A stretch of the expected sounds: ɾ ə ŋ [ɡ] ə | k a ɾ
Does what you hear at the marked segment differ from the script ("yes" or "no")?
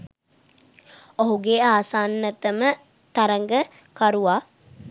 no